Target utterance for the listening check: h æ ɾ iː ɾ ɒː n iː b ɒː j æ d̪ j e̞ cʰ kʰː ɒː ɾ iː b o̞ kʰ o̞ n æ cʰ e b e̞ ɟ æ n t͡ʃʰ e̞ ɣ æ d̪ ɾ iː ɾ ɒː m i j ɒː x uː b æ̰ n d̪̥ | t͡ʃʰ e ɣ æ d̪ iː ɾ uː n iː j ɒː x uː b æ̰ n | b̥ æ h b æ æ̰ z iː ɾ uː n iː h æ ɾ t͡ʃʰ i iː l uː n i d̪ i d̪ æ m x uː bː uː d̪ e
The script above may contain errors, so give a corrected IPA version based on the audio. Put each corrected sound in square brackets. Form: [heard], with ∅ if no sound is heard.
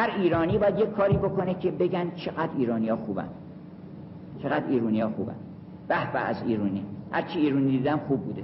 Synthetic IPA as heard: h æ ɾ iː ɾ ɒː n iː b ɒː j æ d̪ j e̞ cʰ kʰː ɒː ɾ iː b o̞ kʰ o̞ n [e] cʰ e b e̞ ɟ æ n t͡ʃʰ e̞ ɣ æ d̪ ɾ iː ɾ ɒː [n] i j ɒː x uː b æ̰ n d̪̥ | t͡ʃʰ e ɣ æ d̪ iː ɾ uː n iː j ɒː x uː b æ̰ n | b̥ æ h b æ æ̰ z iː ɾ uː n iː h æ ɾ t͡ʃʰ i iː [ɾ] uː n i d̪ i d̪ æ m x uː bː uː d̪ e